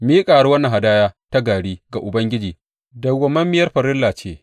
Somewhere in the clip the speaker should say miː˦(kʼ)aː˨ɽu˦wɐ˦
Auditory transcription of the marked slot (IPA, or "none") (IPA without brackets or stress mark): kʼ